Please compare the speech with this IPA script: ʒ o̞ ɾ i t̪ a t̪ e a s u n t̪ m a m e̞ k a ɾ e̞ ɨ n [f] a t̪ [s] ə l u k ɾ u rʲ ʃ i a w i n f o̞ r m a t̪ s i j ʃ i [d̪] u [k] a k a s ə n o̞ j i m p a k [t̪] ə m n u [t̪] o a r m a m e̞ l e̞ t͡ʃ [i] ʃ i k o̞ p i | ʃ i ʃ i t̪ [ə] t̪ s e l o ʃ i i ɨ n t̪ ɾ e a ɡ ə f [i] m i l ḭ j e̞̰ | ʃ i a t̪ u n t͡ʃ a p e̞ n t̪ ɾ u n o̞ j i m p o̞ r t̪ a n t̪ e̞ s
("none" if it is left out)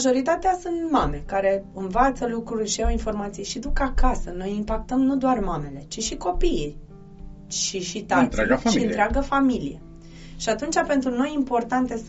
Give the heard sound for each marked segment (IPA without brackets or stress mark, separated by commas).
v, s, d̪, k, t̪, d̪, i, a, a